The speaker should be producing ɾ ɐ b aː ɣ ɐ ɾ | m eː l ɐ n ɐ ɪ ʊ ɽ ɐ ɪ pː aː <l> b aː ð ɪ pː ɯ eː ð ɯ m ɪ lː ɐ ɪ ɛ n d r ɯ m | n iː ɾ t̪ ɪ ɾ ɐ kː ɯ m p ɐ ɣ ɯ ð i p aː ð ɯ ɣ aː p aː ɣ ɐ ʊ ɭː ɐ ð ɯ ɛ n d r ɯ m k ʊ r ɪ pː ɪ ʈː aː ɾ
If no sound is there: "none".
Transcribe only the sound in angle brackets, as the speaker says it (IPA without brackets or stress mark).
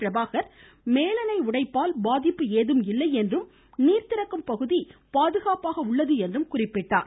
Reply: l